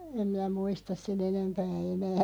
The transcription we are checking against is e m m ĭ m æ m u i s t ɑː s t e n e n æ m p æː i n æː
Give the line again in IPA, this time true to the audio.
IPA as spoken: e m m ĭ n æ m u i s t ɑ s s e n e n e m p æː e n æː